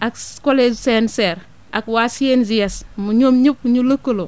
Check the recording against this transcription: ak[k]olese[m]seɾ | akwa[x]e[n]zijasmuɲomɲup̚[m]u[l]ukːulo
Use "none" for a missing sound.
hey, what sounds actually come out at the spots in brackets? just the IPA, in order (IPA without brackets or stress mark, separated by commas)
k, n, s, n, ɲ, l